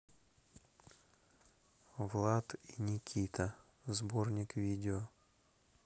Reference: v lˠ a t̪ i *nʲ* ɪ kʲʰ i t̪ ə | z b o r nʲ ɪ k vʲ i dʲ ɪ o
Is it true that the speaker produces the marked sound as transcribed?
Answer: yes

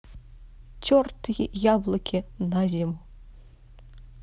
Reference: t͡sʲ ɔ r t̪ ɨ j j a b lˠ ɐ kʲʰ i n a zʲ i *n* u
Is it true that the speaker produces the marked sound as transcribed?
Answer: no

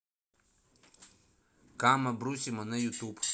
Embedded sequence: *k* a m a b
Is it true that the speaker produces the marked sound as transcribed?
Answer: yes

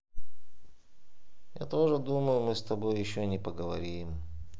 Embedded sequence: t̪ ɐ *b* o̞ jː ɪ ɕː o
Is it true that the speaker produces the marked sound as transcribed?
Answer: yes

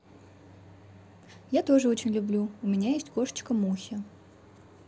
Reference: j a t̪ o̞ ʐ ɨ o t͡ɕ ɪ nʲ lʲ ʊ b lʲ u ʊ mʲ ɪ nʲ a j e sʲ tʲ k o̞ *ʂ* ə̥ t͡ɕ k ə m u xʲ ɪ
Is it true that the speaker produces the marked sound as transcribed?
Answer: yes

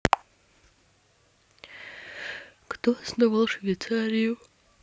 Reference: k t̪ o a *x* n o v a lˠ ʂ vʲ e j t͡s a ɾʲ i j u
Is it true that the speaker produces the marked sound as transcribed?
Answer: no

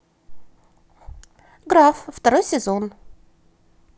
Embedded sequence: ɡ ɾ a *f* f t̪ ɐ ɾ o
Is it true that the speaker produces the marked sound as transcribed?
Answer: yes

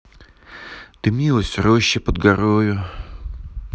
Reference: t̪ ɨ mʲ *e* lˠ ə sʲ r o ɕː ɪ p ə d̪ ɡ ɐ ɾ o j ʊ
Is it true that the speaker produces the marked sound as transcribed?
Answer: no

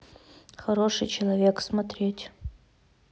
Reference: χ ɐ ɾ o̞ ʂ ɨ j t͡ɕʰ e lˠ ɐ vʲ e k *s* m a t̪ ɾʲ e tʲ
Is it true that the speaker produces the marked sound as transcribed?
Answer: yes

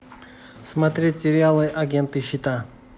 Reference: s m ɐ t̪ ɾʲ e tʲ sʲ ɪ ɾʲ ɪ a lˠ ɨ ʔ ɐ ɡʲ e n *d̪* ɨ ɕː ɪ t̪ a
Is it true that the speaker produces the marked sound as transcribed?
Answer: no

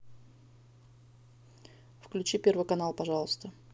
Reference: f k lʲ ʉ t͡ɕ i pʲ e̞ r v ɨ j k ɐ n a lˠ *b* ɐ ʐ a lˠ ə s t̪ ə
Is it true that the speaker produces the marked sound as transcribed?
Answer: no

